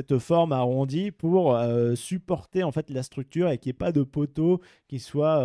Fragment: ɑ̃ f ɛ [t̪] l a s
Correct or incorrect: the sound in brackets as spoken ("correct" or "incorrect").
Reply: correct